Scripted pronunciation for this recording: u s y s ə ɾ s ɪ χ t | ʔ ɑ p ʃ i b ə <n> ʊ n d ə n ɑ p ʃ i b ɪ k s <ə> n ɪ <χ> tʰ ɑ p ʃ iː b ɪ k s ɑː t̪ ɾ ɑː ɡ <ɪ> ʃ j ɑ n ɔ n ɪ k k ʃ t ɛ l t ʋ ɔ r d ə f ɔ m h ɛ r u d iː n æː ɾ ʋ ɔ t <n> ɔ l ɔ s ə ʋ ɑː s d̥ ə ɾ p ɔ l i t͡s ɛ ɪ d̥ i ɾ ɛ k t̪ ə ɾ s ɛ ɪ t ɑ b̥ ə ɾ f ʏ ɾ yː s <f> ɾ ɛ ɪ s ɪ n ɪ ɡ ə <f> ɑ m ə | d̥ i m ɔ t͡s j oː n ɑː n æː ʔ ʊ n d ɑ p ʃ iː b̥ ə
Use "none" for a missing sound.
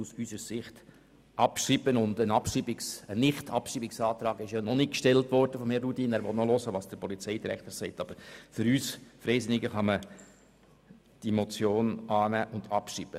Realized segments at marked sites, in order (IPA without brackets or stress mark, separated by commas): n, ə, χ, ɪ, n, f, χ